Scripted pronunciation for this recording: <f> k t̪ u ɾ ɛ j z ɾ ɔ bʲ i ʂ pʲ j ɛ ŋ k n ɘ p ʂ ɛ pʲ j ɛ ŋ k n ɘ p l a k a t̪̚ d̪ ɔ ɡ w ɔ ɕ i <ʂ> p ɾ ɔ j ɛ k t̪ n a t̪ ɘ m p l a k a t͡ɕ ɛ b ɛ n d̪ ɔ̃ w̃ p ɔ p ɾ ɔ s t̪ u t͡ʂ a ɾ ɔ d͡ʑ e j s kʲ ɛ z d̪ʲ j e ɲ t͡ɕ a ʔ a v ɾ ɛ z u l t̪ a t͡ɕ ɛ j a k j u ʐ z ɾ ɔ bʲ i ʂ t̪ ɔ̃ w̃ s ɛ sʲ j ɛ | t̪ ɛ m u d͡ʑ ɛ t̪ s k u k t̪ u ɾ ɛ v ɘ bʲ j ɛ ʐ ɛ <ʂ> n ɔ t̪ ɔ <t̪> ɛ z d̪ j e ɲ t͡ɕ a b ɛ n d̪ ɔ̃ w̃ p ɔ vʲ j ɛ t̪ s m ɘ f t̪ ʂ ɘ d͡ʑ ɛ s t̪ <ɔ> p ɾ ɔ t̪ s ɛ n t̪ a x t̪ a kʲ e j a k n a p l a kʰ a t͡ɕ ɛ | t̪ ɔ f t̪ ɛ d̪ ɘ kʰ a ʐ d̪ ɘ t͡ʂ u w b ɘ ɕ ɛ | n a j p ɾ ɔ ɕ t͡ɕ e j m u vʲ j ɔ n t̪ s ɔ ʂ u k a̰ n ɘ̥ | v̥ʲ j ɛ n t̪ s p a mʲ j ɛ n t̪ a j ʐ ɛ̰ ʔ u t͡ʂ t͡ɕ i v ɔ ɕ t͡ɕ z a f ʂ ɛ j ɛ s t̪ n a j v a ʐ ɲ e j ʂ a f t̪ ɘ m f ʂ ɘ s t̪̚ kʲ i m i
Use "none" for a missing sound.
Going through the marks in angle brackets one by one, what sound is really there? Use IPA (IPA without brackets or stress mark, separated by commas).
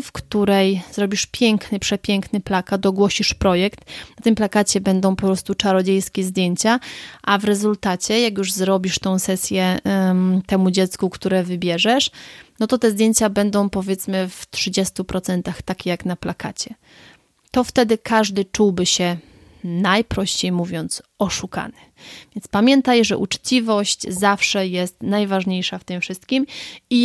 f, ʂ, ʂ, t̪, u